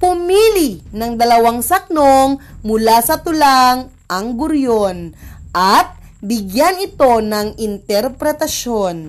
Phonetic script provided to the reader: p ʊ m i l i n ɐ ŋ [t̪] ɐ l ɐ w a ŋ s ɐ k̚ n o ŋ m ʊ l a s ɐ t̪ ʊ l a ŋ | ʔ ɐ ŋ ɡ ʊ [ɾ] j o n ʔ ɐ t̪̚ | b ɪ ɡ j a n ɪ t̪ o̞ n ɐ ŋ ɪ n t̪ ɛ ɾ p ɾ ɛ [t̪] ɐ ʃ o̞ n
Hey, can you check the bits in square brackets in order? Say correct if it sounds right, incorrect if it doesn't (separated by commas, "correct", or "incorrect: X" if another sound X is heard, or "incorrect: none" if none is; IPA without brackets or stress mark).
incorrect: d̪, correct, correct